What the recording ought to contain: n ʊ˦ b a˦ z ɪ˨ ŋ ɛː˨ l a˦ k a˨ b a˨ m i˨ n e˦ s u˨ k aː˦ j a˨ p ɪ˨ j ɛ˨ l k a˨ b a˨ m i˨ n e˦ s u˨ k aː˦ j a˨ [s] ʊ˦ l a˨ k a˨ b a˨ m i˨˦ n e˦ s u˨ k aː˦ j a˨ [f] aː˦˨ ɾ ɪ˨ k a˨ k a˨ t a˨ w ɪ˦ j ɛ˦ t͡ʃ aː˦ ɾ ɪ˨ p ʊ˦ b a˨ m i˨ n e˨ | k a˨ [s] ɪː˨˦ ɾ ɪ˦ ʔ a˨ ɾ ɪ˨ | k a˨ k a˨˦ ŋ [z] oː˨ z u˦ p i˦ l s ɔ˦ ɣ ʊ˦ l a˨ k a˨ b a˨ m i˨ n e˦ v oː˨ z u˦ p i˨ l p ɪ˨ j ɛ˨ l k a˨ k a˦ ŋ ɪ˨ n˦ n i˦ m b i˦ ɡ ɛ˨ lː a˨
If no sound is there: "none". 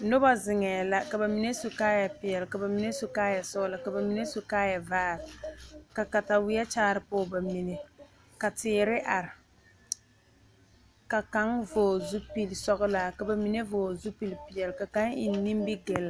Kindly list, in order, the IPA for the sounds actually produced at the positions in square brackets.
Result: s, v, t, v

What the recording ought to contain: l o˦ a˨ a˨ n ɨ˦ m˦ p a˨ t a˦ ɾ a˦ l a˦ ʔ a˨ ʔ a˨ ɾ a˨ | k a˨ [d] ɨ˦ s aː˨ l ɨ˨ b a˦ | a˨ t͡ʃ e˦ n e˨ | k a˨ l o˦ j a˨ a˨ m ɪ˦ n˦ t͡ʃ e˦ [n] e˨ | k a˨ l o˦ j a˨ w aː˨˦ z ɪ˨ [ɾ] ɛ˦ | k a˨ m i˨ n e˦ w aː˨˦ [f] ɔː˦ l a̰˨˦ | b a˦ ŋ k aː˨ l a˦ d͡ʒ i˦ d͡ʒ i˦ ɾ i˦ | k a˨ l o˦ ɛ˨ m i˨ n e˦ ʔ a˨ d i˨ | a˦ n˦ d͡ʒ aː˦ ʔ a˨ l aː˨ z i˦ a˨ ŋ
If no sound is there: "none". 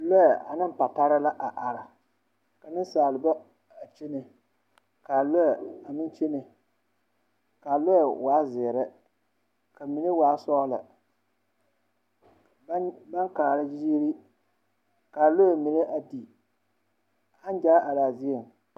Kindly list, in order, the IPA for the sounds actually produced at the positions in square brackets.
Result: n, n, ɾ, s

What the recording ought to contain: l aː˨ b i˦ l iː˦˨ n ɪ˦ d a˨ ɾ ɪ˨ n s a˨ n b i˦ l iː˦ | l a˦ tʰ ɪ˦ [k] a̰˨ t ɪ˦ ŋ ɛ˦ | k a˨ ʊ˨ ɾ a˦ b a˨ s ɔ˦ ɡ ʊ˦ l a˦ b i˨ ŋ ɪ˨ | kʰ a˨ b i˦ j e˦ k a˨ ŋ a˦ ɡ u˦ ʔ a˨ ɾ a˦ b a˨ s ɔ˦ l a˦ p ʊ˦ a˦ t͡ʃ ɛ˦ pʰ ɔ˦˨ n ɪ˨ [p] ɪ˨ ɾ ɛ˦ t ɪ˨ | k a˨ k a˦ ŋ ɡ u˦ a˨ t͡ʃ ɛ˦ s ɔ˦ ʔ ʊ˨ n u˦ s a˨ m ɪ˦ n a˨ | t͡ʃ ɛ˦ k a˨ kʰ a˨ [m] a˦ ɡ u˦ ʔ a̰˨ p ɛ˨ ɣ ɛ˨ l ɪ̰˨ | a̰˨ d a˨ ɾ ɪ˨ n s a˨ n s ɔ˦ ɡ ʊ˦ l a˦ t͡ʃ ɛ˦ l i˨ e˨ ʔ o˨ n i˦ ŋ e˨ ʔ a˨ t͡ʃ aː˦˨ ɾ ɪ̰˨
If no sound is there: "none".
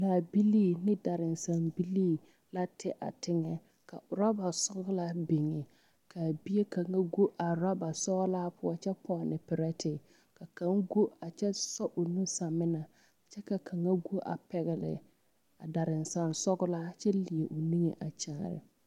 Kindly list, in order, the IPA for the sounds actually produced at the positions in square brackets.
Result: ʔ, p, ŋ

